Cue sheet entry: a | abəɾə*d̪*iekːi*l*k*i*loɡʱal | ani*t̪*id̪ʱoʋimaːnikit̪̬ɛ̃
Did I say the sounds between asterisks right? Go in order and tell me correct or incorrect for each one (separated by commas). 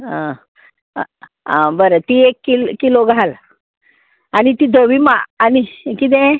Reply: incorrect, correct, correct, correct